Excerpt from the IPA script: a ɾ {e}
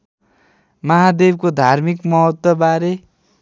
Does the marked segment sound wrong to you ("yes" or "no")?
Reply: no